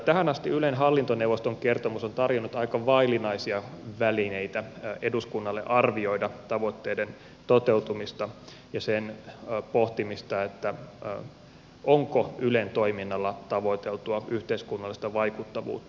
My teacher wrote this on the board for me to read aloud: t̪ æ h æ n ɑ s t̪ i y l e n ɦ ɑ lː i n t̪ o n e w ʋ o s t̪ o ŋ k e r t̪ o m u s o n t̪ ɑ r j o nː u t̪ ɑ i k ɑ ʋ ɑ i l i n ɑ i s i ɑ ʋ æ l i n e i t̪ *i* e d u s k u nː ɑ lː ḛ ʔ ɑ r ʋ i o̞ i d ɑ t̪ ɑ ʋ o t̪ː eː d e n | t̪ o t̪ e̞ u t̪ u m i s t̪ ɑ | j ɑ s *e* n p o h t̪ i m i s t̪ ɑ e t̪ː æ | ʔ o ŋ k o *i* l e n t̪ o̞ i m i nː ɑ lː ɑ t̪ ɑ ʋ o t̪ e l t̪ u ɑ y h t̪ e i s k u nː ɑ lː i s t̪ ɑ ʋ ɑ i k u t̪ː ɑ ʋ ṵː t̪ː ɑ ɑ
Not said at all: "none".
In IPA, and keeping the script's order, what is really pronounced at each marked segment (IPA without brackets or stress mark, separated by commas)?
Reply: æ, e, y